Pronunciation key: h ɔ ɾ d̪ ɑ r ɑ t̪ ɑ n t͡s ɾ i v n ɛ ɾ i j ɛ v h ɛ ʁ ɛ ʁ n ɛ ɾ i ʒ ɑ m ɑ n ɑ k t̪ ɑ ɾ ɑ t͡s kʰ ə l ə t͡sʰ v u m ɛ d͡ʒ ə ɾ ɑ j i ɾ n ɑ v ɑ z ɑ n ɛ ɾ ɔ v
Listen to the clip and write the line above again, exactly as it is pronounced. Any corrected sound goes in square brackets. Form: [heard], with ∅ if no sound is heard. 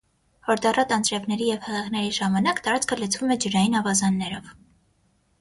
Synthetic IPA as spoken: h ɔ ɾ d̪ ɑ r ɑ t̪ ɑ n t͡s ɾ [ɛ] v n ɛ ɾ i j ɛ v h ɛ ʁ ɛ ʁ n ɛ ɾ i ʒ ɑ m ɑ n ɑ k t̪ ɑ ɾ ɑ t͡s kʰ ə l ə t͡sʰ v u m ɛ d͡ʒ ə ɾ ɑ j i [∅] n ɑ v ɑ z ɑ [nː] ɛ ɾ ɔ v

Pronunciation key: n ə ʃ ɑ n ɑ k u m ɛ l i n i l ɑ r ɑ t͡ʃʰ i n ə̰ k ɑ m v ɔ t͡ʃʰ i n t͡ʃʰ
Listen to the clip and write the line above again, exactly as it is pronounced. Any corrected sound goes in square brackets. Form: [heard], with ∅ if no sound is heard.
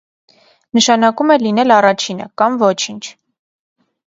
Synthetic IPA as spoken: n ə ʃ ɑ n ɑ k u m ɛ l i n [ɛ] l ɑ r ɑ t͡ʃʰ i n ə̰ k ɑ m v ɔ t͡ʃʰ i n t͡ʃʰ

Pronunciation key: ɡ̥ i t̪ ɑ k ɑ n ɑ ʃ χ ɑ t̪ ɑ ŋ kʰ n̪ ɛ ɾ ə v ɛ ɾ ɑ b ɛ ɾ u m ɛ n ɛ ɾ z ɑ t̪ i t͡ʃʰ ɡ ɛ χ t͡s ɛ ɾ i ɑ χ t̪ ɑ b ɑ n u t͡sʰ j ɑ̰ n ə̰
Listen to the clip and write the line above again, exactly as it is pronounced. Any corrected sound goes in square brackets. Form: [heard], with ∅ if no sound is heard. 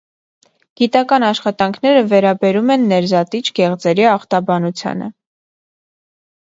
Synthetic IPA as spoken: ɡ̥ i t̪ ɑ k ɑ n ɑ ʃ χ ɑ t̪ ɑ ŋ kʰ n̪ ɛ ɾ ə v ɛ ɾ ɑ b ɛ ɾ u m ɛ [nː] ɛ ɾ z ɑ t̪ i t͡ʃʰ ɡ ɛ [ʁ] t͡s ɛ ɾ i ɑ χ t̪ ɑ b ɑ n u t͡sʰ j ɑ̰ n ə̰

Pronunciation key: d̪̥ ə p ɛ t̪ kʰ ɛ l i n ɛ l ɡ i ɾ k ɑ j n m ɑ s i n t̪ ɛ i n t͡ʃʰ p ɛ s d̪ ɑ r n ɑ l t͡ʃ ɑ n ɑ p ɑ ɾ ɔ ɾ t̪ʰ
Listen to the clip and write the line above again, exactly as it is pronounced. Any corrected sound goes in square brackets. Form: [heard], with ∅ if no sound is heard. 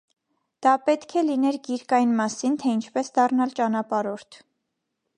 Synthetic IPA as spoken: d̪̥ [ɑ] p ɛ t̪ kʰ ɛ l i n ɛ [ɾ] ɡ i ɾ k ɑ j n m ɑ s i n [t̪ʰ] ɛ i n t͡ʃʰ p ɛ s d̪ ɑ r n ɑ l t͡ʃ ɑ n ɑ p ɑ ɾ ɔ ɾ t̪ʰ

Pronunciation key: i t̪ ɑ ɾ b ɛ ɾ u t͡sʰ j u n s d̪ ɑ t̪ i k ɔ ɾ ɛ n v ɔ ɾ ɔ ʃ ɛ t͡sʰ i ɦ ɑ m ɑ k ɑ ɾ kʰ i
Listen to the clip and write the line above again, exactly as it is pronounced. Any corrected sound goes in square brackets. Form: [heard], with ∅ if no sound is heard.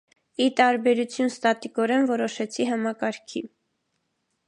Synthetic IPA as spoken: i t̪ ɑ ɾ b ɛ ɾ u t͡sʰ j u n s [t̪] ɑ t̪ i k ɔ ɾ ɛ n v ɔ ɾ ɔ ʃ ɛ t͡sʰ i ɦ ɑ m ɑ k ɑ ɾ kʰ i

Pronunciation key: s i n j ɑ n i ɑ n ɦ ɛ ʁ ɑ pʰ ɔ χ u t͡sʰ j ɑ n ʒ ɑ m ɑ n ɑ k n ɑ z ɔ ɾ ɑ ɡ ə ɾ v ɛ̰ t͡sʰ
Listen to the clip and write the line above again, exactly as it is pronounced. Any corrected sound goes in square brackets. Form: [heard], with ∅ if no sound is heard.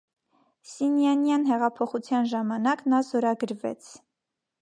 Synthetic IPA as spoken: s i n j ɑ n [j] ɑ n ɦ ɛ ʁ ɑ pʰ ɔ χ u t͡sʰ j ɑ n ʒ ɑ m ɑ n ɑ k n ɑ z ɔ ɾ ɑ ɡ ə ɾ v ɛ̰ t͡sʰ

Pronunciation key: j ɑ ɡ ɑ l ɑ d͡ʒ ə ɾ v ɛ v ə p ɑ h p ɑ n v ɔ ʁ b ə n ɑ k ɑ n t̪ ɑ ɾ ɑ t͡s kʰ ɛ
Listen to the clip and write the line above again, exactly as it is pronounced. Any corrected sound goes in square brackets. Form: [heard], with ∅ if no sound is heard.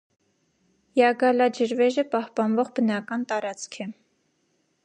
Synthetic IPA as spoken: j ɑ ɡ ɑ l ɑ d͡ʒ ə ɾ v ɛ [ʒ] ə p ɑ h p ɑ n v ɔ ʁ b ə n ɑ k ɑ n t̪ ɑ ɾ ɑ t͡s kʰ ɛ

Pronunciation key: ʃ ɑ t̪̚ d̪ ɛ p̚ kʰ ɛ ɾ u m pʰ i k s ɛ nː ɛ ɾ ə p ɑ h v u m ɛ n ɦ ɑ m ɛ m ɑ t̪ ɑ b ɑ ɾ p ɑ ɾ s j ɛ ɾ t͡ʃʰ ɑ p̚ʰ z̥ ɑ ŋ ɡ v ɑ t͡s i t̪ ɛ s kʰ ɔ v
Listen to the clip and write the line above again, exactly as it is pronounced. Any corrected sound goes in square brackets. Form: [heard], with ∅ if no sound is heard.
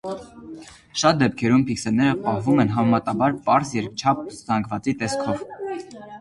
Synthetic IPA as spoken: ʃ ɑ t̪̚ d̪ ɛ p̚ kʰ ɛ ɾ u m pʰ i k s ɛ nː ɛ ɾ ə p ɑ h v u m ɛ n ɦ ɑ m ɛ m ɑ t̪ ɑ b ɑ ɾ p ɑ ɾ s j ɛ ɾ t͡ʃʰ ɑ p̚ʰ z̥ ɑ ŋ ɡ v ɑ t͡s i t̪ ɛ s kʰ ɔ v

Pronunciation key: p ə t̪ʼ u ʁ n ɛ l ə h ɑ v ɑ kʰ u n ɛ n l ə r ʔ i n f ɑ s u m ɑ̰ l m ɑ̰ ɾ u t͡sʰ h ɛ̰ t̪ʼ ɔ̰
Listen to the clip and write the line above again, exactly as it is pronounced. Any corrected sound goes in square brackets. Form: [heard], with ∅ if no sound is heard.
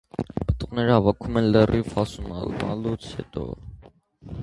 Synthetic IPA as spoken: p ə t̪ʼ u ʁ n ɛ [ɾ] ə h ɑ v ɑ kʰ u [m] ɛ n l ə r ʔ i [∅] f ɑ s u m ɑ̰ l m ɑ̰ [l] u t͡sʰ h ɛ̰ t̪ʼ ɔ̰

